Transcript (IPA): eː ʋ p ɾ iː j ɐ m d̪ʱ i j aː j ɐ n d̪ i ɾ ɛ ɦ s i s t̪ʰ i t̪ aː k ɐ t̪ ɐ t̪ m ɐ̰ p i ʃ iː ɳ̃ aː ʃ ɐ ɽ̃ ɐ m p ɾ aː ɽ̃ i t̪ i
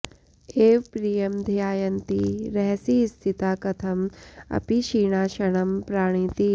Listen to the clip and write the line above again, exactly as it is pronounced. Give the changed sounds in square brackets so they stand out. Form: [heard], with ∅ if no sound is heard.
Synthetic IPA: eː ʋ p ɾ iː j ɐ m d̪ʱ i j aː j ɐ n [t̪] i ɾ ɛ ɦ s i s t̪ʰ i t̪ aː k ɐ [t̪ʰ] ɐ [∅] m ɐ̰ p i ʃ iː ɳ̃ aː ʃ ɐ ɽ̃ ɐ m p ɾ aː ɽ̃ i t̪ i